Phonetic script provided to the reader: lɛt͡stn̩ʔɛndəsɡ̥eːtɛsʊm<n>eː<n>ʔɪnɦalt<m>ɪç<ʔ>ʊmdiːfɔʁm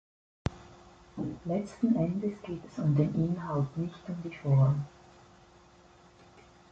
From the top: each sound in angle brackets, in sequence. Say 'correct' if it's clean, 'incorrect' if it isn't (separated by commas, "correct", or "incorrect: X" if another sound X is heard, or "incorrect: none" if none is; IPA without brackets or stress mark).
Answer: incorrect: d, correct, incorrect: n, incorrect: t